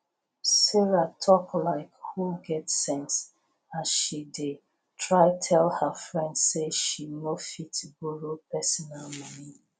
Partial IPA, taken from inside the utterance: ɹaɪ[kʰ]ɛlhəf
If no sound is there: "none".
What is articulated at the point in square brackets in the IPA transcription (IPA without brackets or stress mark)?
tʰ